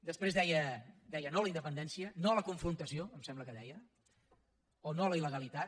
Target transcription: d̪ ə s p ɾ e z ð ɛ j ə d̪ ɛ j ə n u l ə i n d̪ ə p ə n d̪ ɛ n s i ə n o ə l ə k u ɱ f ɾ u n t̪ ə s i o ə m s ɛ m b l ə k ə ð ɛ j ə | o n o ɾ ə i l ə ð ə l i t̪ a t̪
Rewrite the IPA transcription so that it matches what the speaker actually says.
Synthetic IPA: d̪ ə s p ɾ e z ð ɛ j ə d̪ ɛ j ə n o l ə i n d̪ ə p ə n d̪ ɛ n s i ə n o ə l ə k u ɱ f ɾ u n t̪ ə s i o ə m s ɛ m b l ə k ə ð ɛ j ə | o n o l ə i l ə ɣ ə l i t̪ a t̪